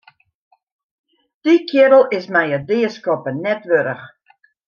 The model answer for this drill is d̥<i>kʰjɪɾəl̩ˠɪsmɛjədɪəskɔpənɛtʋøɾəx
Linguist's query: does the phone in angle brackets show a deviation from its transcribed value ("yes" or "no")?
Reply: no